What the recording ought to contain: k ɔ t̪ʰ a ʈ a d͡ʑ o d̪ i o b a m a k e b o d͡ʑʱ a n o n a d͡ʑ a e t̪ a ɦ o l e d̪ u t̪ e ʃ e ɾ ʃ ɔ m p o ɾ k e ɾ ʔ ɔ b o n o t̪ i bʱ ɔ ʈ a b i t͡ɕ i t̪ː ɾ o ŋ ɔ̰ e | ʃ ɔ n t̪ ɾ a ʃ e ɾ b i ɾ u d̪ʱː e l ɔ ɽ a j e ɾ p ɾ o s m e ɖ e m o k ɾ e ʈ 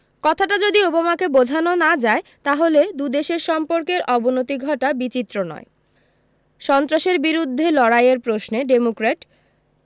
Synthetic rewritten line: k ɔ t̪ʰ a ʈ a d͡ʑ o d̪ i o b a m a k e b o d͡ʑʱ a n o n a d͡ʑ a e t̪ a ɦ o l e d̪ u d̪ e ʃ e ɾ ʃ ɔ m p o ɾ k e ɾ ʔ ɔ b o n o t̪ i ɡʱ ɔ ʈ a b i t͡ɕ i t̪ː ɾ o n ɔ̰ e | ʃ ɔ n t̪ ɾ a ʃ e ɾ b i ɾ u d̪ʱː e l ɔ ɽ a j e ɾ p ɾ o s n e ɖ e m o k ɾ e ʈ

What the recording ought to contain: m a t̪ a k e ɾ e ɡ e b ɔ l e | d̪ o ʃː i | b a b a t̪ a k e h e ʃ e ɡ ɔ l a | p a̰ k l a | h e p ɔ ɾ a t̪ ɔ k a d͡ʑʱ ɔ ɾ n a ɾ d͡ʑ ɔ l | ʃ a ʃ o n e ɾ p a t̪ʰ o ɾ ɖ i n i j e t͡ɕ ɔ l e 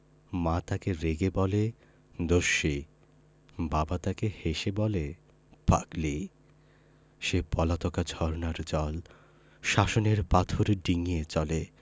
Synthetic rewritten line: m a t̪ a k e ɾ e ɡ e b ɔ l e | d̪ o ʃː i | b a b a t̪ a k e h e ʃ e b ɔ l e | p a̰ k l i | ʃ e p ɔ l a t̪ ɔ k a d͡ʑʱ ɔ ɾ n a ɾ d͡ʑ ɔ l | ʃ a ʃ o n e ɾ p a t̪ʰ o ɾ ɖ i ŋ i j e t͡ɕ ɔ l e

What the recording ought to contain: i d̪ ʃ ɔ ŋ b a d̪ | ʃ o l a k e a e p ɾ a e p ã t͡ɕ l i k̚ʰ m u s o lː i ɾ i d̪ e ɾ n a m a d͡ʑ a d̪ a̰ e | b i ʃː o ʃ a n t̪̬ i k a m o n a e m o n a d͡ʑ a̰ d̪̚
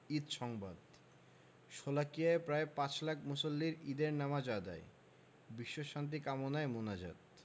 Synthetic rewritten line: i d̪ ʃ ɔ ŋ b a d̪ | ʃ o l a k i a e p ɾ a e p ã t͡ɕ l a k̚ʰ m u s o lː i ɾ i d̪ e ɾ n a m a d͡ʑ a d̪ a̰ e | b i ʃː o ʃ a n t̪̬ i k a m o n a e m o n a d͡ʑ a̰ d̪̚

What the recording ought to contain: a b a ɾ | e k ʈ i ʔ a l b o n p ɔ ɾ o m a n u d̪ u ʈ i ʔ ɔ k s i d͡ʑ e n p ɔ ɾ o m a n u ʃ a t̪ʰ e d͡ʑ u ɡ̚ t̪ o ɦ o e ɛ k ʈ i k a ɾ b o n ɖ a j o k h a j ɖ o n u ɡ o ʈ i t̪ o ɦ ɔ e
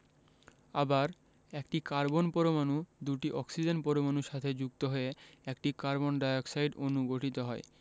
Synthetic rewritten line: a b a ɾ | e k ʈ i k a ɾ b o n p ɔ ɾ o m a n u d̪ u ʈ i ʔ ɔ k s i d͡ʑ e n p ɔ ɾ o m a n u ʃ a t̪ʰ e d͡ʑ u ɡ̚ t̪ o ɦ o e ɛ k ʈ i k a ɾ b o n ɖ a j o k s a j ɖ o n u ɡ o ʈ i t̪ o ɦ ɔ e

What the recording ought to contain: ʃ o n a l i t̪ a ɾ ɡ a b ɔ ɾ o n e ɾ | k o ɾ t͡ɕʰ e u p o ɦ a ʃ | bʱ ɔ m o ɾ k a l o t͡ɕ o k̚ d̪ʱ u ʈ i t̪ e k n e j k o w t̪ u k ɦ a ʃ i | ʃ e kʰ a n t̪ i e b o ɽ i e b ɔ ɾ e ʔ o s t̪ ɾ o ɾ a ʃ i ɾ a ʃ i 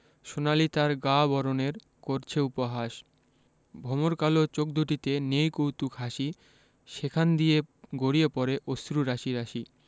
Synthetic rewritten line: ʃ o n a l i t̪ a ɾ ɡ a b ɔ ɾ o n e ɾ | k o ɾ t͡ɕʰ e u p o ɦ a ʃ | bʱ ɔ m o ɾ k a l o t͡ɕ o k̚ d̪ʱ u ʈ i t̪ e n e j k o w t̪ u k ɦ a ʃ i | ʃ e kʰ a n d̪ i e ɡ o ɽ i e p ɔ ɾ e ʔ o s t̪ ɾ u ɾ a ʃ i ɾ a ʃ i

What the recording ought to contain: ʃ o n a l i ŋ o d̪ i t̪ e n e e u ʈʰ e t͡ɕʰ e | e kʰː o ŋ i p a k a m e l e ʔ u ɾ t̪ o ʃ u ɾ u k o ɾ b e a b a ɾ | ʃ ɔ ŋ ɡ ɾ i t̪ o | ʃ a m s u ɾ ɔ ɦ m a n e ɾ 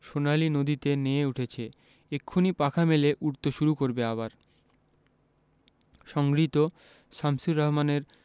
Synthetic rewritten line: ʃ o n a l i n o d̪ i t̪ e n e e u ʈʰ e t͡ɕʰ e | e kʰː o n i p a kʰ a m e l e ʔ u ɾ t̪ o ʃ u ɾ u k o ɾ b e a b a ɾ | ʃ ɔ ŋ ɡ ɾ i t̪ o | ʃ a m s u ɾ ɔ ɦ m a n e ɾ

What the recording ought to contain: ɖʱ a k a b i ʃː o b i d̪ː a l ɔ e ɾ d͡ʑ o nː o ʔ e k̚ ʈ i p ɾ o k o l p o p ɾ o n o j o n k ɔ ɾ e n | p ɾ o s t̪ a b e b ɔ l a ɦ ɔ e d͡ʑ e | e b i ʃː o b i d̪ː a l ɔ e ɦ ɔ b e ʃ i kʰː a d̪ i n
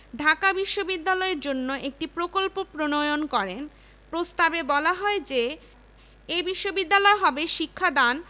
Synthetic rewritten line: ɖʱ a k a b i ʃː o b i d̪ː a l ɔ e ɾ d͡ʑ o nː o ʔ e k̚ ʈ i p ɾ o k o l p o p ɾ o n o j o n k ɔ ɾ e n | p ɾ o s t̪ a b e b ɔ l a ɦ ɔ e d͡ʑ e | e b i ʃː o b i d̪ː a l ɔ e ɦ ɔ b e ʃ i kʰː a d̪ a n

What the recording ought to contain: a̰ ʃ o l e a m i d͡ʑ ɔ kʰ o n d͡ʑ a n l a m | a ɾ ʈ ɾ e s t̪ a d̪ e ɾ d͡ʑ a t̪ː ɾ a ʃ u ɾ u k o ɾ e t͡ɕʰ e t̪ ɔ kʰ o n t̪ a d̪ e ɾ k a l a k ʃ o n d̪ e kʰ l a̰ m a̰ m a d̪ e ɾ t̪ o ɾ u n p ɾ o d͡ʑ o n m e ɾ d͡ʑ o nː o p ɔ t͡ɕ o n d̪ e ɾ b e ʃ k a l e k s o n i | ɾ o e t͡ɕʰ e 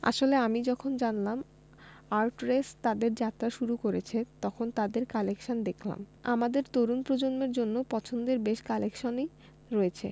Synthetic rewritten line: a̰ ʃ o l e a m i d͡ʑ ɔ kʰ o n d͡ʑ a n l a m | a ɾ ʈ ɾ e s t̪ a d̪ e ɾ d͡ʑ a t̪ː ɾ a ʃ u ɾ u k o ɾ e t͡ɕʰ e t̪ ɔ kʰ o n t̪ a d̪ e ɾ k a l e k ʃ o n d̪ e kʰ l a̰ m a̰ m a d̪ e ɾ t̪ o ɾ u n p ɾ o d͡ʑ o n m e ɾ d͡ʑ o nː o p ɔ t͡ɕʰ o n d̪ e ɾ b e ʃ k a l e k ʃ o n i | ɾ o e t͡ɕʰ e

